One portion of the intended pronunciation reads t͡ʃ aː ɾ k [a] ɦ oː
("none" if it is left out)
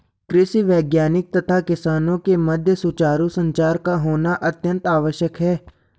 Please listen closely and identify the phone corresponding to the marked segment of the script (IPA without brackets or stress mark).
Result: a